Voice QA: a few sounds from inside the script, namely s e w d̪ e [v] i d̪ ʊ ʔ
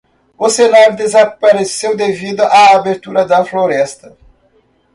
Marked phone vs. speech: correct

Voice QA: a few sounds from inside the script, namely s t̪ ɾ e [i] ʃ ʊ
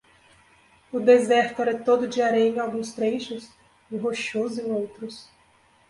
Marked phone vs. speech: incorrect: j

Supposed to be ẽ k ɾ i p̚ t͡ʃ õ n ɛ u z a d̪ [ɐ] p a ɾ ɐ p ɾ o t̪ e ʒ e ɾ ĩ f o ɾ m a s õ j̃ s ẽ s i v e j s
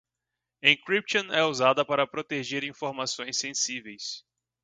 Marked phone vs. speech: correct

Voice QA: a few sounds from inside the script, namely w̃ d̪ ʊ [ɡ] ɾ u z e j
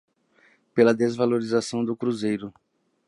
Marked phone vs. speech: incorrect: k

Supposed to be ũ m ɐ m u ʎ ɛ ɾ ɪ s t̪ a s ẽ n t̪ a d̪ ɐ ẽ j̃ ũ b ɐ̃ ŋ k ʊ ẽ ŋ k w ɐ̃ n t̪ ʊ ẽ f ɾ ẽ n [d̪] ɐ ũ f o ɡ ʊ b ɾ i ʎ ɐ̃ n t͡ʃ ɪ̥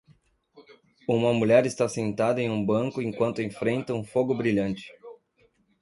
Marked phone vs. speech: incorrect: t̪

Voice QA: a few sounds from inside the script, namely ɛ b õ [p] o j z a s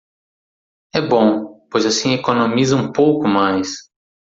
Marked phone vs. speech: correct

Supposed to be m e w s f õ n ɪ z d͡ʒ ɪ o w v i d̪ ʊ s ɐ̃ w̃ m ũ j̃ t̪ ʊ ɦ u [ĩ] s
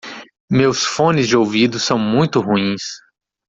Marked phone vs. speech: correct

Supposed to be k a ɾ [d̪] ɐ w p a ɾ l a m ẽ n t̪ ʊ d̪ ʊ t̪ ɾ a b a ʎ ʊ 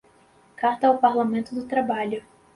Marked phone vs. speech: incorrect: t̪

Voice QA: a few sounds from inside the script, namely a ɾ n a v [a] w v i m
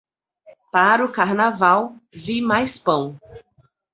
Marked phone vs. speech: correct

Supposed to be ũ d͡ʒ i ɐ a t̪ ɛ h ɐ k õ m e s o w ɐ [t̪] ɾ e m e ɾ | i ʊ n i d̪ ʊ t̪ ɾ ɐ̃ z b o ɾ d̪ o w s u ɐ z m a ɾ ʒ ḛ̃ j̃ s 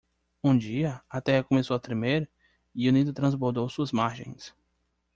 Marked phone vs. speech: correct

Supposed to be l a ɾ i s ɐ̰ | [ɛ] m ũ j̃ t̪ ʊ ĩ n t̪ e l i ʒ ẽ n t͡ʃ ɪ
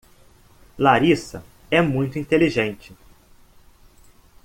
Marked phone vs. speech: correct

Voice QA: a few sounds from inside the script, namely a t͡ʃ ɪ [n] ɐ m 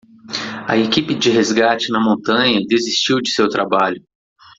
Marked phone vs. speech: correct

